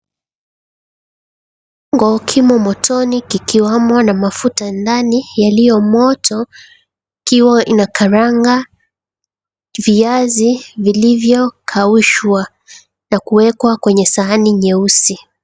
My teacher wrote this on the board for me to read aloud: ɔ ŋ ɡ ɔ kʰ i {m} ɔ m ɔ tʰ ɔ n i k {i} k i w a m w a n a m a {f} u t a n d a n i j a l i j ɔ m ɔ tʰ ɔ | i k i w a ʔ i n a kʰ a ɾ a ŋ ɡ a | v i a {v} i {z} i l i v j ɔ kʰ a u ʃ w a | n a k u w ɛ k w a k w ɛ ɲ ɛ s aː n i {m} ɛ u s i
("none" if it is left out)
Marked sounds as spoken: m, i, f, z, v, ɲ

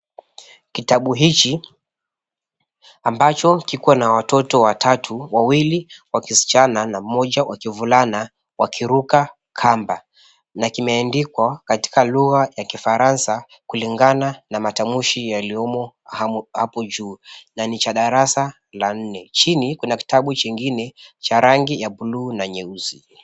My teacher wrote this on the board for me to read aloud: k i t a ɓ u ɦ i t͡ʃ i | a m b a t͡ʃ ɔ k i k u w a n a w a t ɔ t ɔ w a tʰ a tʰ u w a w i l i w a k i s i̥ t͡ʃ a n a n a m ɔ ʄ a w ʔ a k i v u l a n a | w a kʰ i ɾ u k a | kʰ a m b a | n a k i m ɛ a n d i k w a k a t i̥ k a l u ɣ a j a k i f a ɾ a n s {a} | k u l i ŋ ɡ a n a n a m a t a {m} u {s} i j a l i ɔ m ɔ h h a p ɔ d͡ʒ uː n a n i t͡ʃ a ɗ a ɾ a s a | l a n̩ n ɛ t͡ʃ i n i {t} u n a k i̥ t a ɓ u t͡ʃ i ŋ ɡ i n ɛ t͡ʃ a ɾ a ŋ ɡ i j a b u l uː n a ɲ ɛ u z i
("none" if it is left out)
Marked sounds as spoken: a, m, ʃ, k

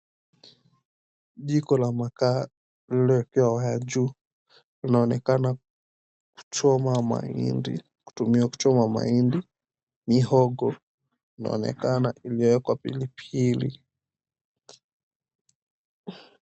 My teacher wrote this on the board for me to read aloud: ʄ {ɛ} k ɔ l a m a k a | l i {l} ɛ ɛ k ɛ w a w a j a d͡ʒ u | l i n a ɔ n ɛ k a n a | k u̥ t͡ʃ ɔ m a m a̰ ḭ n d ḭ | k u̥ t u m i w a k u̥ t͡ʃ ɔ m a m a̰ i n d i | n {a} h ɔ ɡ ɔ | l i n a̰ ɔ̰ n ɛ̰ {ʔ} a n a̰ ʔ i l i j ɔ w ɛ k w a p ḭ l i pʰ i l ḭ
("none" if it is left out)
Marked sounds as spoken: i, l, i, k

